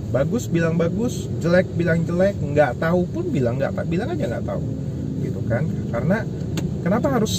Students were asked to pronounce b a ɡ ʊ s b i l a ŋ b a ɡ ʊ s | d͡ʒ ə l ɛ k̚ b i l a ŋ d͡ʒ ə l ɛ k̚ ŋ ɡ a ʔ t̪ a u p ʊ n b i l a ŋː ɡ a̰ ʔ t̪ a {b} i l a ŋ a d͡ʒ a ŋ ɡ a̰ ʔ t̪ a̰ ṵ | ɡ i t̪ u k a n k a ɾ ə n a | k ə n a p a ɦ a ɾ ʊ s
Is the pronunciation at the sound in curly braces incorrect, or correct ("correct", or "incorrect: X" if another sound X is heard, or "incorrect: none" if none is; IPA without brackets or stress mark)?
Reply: correct